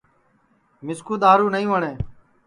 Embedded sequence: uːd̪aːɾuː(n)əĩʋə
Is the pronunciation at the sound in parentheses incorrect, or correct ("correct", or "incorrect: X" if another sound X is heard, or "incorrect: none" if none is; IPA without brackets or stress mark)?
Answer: correct